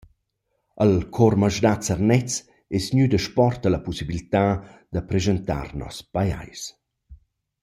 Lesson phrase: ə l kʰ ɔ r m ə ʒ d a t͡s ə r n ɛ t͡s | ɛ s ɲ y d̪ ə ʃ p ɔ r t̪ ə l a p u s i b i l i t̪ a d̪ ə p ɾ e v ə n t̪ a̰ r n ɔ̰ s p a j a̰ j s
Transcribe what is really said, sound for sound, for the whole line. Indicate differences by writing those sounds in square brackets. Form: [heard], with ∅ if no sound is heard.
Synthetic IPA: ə l kʰ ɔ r m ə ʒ d a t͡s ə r n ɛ t͡s | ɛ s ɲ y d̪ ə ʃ p ɔ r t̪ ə l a p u s i b i l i t̪ a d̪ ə p ɾ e [z] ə n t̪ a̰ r n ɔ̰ s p a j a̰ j s